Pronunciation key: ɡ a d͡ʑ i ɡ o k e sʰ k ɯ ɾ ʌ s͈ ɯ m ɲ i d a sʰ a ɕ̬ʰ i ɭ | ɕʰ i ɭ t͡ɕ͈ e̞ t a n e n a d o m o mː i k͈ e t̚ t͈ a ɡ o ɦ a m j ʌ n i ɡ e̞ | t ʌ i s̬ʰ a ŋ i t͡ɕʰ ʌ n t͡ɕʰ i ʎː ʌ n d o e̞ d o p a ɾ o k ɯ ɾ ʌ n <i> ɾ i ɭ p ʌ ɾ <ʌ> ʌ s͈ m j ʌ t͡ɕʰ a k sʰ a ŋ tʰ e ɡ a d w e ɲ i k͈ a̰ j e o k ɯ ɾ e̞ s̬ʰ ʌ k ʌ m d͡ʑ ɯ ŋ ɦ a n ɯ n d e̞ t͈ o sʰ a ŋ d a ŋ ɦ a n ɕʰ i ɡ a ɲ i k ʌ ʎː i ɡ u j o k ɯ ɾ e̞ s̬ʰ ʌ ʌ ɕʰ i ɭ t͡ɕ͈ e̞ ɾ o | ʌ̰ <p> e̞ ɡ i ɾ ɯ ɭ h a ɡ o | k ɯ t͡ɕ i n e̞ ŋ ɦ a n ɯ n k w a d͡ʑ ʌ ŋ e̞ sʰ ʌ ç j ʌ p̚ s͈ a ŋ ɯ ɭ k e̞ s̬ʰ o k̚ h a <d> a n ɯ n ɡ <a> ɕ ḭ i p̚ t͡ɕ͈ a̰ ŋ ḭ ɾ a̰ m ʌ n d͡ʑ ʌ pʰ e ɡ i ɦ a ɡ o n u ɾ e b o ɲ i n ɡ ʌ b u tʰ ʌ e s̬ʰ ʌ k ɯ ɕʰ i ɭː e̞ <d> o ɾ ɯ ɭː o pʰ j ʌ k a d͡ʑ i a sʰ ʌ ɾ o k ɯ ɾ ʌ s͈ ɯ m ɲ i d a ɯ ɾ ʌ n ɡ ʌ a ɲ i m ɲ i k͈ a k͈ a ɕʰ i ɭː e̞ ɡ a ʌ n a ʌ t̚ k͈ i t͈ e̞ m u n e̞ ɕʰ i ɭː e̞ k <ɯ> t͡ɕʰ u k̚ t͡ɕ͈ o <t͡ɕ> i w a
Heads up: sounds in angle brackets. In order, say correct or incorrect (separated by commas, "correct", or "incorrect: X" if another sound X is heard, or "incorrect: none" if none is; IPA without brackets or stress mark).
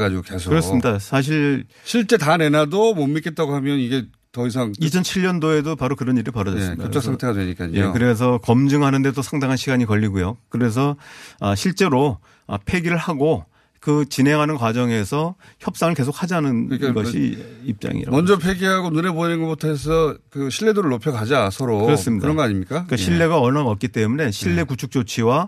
correct, correct, incorrect: pʰ, incorrect: d͡ʑ, incorrect: ʌ, correct, incorrect: u, incorrect: t͡ɕʰ